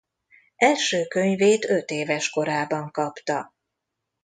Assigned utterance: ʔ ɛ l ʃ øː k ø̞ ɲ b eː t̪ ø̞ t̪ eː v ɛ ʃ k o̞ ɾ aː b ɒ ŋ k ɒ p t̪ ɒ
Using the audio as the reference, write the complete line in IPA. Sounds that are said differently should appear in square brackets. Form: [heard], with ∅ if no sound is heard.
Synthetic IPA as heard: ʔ ɛ l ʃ øː k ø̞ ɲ [v] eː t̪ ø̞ t̪ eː v ɛ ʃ k o̞ ɾ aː b ɒ ŋ k ɒ p t̪ ɒ